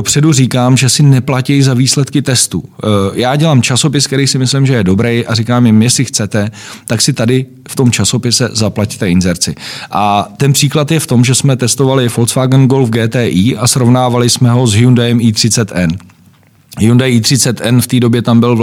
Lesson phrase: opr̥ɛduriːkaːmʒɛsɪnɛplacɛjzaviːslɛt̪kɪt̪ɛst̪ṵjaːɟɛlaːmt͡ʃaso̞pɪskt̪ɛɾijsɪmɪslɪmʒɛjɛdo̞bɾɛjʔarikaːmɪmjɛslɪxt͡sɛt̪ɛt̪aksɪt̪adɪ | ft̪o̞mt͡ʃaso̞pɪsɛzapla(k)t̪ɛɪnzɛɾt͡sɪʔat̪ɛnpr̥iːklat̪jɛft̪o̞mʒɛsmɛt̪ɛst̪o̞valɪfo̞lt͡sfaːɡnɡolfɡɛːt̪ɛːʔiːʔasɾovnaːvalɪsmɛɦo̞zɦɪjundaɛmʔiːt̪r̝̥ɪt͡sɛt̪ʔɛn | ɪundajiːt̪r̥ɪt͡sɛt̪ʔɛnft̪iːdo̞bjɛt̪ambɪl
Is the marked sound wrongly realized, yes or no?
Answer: yes